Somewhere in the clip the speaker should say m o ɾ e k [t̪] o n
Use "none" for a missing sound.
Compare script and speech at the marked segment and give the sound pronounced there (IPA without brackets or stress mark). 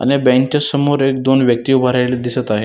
d̪